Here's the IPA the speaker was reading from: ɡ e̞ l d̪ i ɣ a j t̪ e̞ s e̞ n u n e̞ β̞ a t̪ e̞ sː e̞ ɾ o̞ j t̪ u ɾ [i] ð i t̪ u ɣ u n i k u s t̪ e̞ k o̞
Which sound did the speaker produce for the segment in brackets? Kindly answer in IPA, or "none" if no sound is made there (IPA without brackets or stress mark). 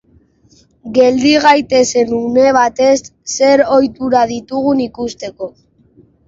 a